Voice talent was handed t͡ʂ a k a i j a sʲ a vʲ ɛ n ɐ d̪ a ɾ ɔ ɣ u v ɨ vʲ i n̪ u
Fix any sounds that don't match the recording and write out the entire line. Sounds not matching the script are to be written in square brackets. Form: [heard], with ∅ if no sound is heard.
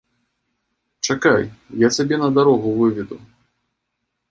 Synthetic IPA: t͡ʂ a k a [j] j a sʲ a [bʲ] ɛ n ɐ d̪ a ɾ ɔ ɣ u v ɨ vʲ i [d̪] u